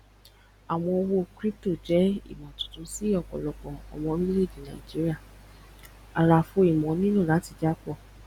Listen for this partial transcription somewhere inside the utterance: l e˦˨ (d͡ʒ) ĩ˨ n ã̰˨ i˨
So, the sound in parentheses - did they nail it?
yes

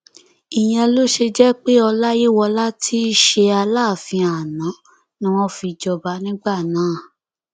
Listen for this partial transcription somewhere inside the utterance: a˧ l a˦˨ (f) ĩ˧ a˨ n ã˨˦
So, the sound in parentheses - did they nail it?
yes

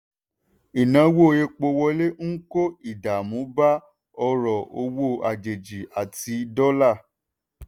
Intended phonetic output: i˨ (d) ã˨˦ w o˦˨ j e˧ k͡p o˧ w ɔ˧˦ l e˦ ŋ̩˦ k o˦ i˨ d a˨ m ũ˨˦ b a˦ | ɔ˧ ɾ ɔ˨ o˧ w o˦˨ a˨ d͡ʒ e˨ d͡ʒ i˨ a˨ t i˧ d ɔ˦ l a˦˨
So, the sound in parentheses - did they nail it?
no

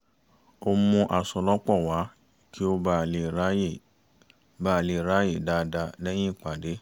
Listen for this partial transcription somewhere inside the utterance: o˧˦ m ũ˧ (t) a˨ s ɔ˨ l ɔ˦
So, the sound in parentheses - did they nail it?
no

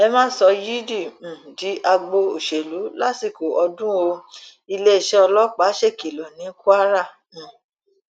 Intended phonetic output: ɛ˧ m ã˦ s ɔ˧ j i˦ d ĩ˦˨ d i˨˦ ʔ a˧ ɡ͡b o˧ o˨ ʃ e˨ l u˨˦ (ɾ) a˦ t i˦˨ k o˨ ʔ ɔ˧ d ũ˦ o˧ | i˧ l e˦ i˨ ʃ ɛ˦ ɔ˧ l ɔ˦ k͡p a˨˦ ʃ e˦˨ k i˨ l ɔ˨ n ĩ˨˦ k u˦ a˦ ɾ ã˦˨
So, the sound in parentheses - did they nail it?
no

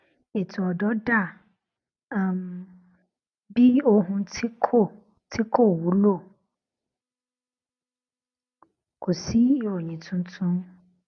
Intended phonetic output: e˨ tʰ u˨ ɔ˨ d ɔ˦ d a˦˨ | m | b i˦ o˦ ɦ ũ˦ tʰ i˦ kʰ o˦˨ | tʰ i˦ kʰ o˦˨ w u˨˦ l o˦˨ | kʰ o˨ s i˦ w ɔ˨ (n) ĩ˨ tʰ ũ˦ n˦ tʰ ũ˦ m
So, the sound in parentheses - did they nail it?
no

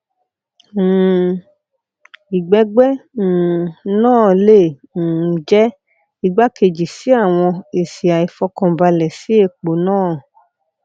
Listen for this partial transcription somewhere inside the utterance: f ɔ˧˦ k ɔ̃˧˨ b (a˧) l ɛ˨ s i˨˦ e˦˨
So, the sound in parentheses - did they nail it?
yes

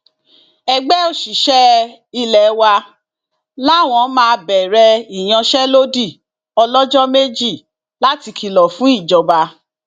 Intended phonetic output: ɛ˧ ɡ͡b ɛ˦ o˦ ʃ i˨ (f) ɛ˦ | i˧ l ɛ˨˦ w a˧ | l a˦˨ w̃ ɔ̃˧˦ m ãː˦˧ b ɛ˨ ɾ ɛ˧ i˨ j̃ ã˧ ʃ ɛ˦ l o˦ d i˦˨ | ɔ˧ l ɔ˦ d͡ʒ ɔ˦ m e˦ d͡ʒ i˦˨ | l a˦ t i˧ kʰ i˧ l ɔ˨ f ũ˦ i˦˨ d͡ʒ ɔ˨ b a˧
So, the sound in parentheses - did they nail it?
no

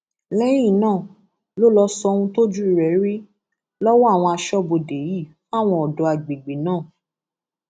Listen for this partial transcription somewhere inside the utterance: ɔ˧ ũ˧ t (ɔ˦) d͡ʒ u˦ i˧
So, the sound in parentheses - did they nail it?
no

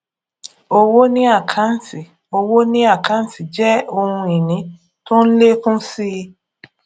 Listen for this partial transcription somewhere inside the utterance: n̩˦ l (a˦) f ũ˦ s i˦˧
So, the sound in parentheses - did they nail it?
no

